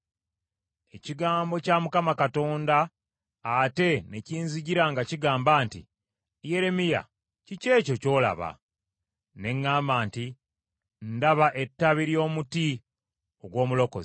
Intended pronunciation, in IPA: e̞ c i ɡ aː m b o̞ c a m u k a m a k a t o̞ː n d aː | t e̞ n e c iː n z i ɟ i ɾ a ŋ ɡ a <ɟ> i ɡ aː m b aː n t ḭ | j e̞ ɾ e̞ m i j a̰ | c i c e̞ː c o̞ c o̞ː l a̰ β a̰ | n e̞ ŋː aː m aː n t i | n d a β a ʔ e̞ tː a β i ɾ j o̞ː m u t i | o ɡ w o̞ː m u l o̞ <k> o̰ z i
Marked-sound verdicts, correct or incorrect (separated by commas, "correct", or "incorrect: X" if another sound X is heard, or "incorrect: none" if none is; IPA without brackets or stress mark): incorrect: c, correct